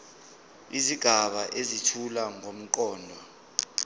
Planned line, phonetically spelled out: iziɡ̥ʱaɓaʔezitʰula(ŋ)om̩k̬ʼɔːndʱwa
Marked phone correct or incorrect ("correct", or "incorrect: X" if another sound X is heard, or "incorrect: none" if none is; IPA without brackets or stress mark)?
correct